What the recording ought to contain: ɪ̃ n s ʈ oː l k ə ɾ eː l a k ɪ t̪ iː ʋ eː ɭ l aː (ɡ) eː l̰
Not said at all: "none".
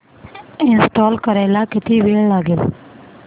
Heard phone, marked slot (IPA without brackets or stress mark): ɡ